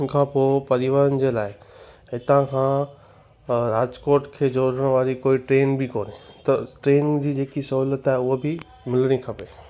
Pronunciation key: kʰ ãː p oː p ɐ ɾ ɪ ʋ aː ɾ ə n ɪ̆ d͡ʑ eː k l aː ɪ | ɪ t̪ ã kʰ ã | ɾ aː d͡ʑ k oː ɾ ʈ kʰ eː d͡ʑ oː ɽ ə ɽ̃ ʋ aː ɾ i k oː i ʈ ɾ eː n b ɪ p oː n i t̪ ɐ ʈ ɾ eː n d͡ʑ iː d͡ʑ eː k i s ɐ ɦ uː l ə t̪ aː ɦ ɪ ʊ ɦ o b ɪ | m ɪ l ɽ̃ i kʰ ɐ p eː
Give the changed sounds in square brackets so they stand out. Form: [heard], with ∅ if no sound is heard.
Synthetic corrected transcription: kʰ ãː p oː p ɐ ɾ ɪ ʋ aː ɾ ə n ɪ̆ d͡ʑ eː [∅] l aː ɪ | ɪ t̪ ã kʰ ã | ɾ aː d͡ʑ k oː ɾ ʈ kʰ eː d͡ʑ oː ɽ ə ɽ̃ ʋ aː ɾ i k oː i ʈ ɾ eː n b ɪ [k] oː n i t̪ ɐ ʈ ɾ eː n d͡ʑ iː d͡ʑ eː k i s ɐ ɦ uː l ə t̪ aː ɦ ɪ ʊ ɦ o b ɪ | m ɪ l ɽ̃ i kʰ ɐ p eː